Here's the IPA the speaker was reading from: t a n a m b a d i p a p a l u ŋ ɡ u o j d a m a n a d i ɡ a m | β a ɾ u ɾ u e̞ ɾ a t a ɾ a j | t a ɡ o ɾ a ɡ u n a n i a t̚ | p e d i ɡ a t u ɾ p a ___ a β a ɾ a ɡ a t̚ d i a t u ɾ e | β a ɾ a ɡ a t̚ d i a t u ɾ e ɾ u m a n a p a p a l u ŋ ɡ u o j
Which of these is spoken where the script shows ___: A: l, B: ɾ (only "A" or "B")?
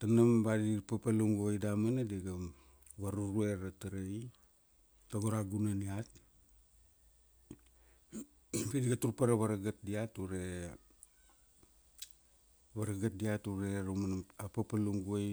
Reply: B